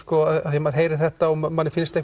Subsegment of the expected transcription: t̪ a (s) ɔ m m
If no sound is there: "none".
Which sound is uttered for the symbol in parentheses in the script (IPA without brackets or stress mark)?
none